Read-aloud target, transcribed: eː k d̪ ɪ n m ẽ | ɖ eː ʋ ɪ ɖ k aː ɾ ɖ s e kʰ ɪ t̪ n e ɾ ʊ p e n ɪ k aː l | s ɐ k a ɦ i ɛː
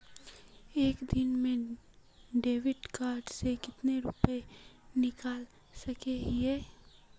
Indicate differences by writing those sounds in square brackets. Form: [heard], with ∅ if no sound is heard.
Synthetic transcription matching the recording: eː k d̪ ɪ n m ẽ | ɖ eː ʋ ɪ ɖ k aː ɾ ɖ s e [k] ɪ t̪ n e ɾ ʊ p e n ɪ k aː l | s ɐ k [e] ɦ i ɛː